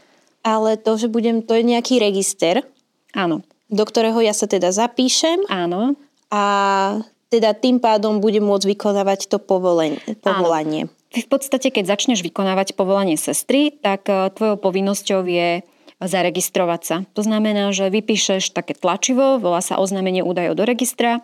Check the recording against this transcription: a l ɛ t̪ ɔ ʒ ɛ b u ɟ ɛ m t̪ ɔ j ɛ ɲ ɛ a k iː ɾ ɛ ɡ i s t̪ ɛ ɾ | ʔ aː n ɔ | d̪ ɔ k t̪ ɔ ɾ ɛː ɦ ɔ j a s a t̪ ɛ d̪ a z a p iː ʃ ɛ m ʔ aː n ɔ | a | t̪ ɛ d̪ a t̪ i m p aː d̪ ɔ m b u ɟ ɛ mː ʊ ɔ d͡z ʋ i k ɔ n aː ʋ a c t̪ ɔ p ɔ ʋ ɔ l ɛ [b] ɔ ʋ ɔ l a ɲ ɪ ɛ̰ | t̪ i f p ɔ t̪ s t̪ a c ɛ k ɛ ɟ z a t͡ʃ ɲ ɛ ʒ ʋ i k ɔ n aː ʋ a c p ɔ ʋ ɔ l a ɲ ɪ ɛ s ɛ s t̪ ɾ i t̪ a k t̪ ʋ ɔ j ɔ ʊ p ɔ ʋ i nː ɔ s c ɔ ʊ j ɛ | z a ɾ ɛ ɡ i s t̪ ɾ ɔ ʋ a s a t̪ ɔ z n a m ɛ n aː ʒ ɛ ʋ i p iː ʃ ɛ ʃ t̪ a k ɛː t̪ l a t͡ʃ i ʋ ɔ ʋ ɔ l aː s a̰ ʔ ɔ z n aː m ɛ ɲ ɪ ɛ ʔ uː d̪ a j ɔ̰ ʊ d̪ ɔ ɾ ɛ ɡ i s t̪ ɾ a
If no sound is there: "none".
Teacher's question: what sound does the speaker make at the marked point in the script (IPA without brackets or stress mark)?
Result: p